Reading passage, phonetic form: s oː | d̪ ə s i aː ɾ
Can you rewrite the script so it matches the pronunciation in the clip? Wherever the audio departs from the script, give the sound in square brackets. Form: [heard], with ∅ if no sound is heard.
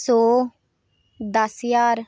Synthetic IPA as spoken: s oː | d̪ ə s [j] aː ɾ